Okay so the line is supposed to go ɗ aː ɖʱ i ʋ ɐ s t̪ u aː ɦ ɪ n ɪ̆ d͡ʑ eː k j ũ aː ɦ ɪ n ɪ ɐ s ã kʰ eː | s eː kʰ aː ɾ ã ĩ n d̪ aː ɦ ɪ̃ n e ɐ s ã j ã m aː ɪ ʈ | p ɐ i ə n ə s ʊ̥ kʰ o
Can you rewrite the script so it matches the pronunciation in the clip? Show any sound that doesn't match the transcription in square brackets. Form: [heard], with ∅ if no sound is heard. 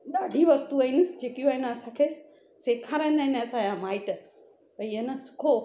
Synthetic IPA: ɗ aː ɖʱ i ʋ ɐ s t̪ u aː ɦ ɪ n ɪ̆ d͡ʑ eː k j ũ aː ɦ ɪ n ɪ ɐ s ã kʰ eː | s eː kʰ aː ɾ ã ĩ n d̪ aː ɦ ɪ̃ n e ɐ s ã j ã m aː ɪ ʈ | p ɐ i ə n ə s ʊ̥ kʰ o

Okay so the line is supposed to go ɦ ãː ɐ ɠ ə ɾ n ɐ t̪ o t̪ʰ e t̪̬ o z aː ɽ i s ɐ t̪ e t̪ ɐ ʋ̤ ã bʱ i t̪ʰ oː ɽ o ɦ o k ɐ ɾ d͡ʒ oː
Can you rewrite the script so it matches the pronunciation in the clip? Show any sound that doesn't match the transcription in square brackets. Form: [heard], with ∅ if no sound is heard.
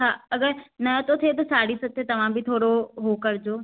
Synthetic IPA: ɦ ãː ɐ [ɡ] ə ɾ n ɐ t̪ o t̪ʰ e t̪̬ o [s] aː ɽ i s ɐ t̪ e t̪ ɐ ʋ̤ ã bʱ i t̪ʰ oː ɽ o ɦ o k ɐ ɾ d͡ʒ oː

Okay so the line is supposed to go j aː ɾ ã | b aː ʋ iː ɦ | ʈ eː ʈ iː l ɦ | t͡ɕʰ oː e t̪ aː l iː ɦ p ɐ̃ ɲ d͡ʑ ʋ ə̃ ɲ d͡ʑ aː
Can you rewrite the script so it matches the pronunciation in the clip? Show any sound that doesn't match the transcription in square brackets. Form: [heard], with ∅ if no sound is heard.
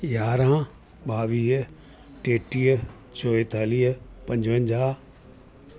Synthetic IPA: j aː ɾ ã | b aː ʋ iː ɦ | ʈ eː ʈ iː [∅] ɦ | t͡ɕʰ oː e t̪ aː l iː ɦ p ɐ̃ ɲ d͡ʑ ʋ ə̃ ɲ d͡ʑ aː

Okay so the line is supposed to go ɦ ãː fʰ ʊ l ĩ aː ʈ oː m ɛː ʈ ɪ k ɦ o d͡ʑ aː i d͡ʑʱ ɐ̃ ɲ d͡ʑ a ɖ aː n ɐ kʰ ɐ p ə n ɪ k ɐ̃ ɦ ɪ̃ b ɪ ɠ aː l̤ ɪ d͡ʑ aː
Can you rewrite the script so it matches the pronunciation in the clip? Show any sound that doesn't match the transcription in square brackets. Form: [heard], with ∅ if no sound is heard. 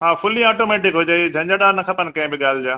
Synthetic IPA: ɦ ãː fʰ ʊ l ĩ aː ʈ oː m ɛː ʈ ɪ k ɦ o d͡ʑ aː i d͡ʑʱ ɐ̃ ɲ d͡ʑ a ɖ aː n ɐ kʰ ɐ p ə n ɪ k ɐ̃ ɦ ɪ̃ b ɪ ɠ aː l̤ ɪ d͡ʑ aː

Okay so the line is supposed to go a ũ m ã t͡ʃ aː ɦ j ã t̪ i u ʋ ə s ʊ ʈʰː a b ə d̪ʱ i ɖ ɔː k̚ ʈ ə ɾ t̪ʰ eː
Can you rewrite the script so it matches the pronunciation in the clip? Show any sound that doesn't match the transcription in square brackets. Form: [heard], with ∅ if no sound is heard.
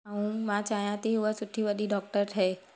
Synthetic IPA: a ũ m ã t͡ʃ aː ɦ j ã t̪ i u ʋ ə s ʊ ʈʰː [i] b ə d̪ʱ i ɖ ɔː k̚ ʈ ə ɾ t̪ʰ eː

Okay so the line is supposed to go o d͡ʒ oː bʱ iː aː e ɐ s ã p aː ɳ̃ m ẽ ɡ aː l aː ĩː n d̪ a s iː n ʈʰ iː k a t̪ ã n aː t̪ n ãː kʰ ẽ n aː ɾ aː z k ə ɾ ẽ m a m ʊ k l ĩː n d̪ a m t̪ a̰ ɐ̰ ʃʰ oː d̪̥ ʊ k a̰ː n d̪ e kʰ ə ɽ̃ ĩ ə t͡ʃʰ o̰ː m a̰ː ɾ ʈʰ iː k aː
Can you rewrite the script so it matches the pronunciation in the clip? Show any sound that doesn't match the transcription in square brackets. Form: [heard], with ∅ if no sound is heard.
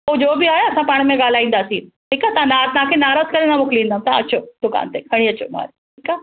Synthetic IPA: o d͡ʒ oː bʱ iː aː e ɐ s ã p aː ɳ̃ m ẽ ɡ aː l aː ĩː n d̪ a s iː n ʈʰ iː k a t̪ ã n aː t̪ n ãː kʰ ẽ n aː ɾ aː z k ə ɾ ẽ [n] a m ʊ k l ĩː n d̪ a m t̪ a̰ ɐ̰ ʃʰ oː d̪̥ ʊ k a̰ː n [t̪] e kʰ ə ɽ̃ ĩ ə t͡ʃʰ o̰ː m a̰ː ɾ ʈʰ iː k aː

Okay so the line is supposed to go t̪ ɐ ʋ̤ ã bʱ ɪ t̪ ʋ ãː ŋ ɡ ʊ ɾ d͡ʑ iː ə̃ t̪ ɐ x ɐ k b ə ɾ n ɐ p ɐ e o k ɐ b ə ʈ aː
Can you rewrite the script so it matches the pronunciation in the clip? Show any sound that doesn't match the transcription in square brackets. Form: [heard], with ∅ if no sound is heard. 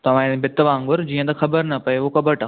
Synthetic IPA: t̪ ɐ ʋ̤ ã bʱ ɪ t̪ ʋ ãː ŋ ɡ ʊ ɾ d͡ʑ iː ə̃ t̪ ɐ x ɐ [∅] b ə ɾ n ɐ p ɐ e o k ɐ b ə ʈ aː

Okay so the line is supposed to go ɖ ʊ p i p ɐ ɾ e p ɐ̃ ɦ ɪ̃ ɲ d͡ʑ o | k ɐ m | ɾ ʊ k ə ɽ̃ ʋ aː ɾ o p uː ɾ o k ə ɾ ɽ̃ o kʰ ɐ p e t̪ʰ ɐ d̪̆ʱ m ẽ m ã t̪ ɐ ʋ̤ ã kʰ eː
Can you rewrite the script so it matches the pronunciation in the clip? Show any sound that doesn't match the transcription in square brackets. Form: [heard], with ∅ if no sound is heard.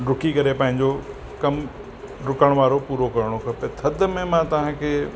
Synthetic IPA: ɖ ʊ [k] i [k] ɐ ɾ e p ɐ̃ ɦ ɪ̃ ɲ d͡ʑ o | k ɐ m | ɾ ʊ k ə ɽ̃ ʋ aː ɾ o p uː ɾ o k [ɐ] ɾ ɽ̃ o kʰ ɐ p e t̪ʰ ɐ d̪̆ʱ m ẽ m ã t̪ ɐ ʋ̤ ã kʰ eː

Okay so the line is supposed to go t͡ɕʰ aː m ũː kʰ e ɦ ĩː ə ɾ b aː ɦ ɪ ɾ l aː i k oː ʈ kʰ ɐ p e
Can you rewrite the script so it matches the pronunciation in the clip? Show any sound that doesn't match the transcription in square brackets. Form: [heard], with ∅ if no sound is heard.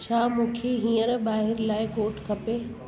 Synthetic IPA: t͡ɕʰ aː m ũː kʰ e ɦ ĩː ə ɾ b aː ɦ ɪ ɾ l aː [ɪ] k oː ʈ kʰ ɐ p e

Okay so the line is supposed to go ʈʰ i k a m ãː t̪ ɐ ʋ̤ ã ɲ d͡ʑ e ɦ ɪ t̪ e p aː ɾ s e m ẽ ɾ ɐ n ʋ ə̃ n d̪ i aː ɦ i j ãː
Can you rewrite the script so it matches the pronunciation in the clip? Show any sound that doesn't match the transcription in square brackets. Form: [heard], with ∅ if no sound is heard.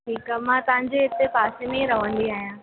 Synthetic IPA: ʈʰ [iː] k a m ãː t̪ ɐ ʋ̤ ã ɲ d͡ʑ e ɦ ɪ t̪ e p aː [∅] s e m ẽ ɾ ɐ [∅] ʋ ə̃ n d̪ i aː ɦ i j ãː

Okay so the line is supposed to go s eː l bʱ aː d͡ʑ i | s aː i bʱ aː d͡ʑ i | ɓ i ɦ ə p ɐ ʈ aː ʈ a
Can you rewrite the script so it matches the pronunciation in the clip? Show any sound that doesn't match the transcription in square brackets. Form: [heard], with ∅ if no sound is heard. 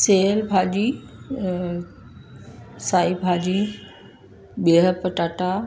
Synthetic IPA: s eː l bʱ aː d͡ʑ i | s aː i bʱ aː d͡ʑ i | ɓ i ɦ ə p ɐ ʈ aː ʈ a

